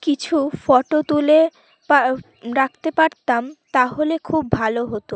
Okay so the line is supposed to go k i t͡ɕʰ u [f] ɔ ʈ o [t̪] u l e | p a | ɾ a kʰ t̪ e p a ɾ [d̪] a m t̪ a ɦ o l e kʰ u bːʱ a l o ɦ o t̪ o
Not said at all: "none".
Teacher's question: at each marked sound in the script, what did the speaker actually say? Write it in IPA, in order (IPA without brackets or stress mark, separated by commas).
f, t̪, t̪